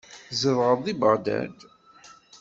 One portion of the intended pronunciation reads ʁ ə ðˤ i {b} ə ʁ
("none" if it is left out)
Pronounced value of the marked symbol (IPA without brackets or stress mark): b